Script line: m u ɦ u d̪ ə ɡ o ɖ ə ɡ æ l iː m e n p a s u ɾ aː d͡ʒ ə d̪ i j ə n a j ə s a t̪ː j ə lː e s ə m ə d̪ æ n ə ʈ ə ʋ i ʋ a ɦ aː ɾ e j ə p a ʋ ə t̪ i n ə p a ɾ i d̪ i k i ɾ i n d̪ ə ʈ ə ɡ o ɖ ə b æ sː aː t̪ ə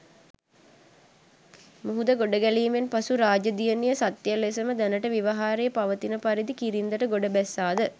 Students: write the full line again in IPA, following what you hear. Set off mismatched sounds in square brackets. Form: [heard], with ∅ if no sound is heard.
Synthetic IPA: m u ɦ u d̪ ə ɡ o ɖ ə ɡ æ l iː m e n p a s u ɾ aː d͡ʒ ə d̪ i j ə n [i] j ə s a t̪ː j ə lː e s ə m ə d̪ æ n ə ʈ ə ʋ i ʋ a ɦ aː ɾ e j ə p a ʋ ə t̪ i n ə p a ɾ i d̪ i k i ɾ i n d̪ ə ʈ ə ɡ o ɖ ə b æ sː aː [d̪] ə